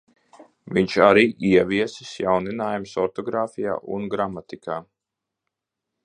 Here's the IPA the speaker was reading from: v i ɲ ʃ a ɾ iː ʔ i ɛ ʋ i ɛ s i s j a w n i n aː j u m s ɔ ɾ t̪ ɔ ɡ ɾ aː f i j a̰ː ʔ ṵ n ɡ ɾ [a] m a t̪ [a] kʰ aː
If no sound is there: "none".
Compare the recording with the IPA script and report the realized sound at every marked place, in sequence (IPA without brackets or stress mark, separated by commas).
a, i